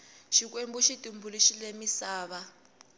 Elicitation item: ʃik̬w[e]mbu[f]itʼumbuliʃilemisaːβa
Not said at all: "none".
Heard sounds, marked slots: e, ʃ

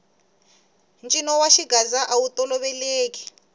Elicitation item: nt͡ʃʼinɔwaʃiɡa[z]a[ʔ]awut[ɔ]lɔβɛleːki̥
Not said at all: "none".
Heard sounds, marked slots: z, ʔ, ɔ

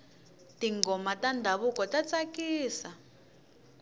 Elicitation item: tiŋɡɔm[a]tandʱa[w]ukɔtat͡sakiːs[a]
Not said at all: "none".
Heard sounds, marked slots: a, β, a

